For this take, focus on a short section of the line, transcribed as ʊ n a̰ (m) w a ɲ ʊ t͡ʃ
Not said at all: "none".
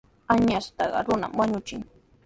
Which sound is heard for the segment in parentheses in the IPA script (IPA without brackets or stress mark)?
m